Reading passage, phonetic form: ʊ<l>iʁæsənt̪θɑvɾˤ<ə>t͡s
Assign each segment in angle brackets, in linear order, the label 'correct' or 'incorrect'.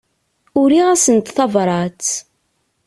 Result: incorrect: ɾ, incorrect: ɑ

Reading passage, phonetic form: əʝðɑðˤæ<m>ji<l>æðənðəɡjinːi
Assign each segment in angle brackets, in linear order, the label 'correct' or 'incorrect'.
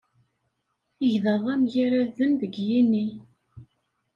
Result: correct, incorrect: ɾ

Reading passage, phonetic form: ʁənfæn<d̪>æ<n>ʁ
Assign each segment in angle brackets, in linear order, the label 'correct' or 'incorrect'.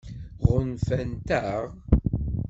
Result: incorrect: t̪, incorrect: none

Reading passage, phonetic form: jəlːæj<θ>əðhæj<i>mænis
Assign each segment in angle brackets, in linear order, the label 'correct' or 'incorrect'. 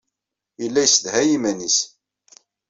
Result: incorrect: s, correct

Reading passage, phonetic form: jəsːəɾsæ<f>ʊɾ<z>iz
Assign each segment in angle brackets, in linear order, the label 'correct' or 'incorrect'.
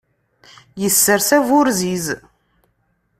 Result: incorrect: v, correct

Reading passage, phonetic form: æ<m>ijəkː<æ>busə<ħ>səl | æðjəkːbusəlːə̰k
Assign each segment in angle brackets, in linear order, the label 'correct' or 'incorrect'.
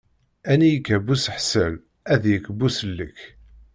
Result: incorrect: n, correct, correct

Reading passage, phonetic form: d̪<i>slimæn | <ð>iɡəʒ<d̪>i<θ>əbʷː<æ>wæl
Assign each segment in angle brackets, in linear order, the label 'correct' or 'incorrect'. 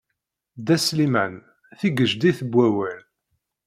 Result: incorrect: æ, incorrect: θ, correct, correct, correct

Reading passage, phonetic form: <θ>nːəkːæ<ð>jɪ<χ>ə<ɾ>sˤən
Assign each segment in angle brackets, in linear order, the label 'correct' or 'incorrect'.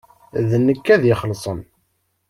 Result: incorrect: ð, correct, correct, incorrect: l

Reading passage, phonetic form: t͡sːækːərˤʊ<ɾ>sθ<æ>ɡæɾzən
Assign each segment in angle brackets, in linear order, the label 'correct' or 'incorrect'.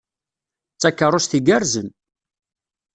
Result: incorrect: none, incorrect: i

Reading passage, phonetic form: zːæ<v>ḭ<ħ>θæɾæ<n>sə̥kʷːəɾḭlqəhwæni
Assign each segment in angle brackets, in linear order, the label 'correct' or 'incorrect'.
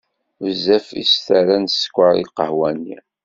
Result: incorrect: f, incorrect: s, correct

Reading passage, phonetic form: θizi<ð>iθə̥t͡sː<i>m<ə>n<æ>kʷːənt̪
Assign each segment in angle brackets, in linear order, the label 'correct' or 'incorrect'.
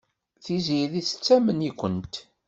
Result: correct, incorrect: æ, correct, incorrect: i

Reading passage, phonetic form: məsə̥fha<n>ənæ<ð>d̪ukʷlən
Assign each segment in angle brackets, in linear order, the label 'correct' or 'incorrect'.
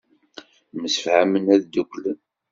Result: incorrect: m, correct

